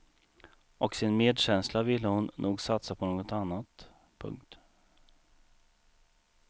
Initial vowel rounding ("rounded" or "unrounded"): rounded